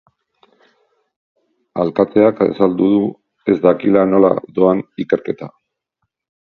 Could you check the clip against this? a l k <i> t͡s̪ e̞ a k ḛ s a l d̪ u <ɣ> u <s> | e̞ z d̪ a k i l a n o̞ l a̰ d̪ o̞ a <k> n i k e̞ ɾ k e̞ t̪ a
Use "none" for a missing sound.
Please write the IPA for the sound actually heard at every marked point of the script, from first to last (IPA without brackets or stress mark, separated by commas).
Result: a, ð, none, none